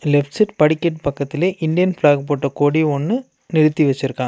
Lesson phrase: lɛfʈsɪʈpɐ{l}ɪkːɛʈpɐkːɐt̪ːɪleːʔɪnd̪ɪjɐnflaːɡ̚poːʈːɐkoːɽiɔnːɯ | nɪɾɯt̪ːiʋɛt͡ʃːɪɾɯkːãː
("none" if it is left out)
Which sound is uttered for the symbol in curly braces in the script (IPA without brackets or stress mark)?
ɽ